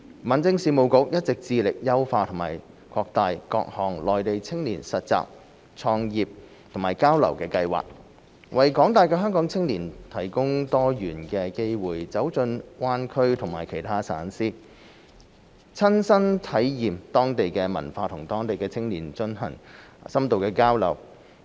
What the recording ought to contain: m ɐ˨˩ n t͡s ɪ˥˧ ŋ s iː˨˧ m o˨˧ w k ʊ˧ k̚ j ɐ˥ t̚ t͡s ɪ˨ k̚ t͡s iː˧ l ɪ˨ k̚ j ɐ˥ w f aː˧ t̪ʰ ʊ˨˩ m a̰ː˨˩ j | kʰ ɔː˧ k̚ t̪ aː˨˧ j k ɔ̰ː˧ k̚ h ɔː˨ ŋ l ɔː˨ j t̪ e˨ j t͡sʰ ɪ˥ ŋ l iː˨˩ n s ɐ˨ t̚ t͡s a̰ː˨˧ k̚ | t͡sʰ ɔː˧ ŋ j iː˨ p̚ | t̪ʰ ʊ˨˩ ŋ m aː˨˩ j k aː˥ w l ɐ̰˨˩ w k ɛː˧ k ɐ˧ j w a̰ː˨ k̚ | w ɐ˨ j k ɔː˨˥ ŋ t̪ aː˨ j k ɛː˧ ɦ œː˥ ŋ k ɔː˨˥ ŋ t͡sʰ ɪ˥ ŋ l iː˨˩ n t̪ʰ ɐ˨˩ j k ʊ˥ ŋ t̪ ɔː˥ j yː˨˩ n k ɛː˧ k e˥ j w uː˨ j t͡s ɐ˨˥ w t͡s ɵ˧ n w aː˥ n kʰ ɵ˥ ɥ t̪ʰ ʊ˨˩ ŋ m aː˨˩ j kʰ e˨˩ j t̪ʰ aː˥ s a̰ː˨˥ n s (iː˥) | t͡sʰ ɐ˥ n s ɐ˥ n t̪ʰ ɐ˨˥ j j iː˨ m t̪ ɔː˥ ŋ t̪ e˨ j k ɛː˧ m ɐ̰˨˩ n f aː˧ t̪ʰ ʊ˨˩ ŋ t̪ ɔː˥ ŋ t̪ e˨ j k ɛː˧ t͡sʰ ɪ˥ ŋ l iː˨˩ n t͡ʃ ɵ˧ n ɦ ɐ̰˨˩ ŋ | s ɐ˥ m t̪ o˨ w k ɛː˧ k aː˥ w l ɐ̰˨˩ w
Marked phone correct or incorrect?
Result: correct